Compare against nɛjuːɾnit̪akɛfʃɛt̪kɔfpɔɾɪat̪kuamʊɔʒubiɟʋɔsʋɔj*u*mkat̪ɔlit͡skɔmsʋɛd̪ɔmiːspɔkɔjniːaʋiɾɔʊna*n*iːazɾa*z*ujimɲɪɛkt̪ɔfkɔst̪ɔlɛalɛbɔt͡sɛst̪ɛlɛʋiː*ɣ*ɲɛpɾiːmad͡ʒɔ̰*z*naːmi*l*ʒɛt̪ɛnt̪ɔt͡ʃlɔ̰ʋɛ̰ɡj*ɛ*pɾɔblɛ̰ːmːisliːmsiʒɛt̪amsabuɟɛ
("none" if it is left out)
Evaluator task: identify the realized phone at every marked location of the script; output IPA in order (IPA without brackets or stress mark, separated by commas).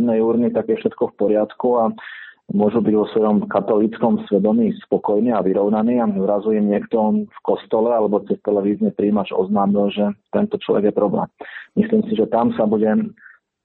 ɔ, n, z, z, z, l, ɛ